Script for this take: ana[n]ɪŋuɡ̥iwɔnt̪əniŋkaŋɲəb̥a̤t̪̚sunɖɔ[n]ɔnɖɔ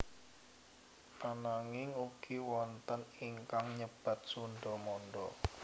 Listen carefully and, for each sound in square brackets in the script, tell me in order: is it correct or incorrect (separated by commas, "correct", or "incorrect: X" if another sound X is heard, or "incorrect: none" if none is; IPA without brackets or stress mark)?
incorrect: ŋ, incorrect: m